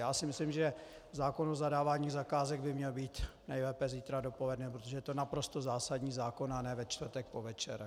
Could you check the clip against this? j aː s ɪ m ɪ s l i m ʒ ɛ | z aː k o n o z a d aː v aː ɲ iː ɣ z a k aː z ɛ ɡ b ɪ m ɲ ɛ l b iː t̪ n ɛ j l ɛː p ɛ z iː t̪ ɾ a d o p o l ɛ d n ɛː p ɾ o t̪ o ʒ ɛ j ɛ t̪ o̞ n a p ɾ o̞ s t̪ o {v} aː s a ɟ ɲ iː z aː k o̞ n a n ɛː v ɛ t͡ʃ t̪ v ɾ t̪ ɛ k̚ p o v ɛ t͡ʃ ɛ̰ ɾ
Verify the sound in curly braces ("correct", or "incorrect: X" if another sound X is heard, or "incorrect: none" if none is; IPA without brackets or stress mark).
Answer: incorrect: z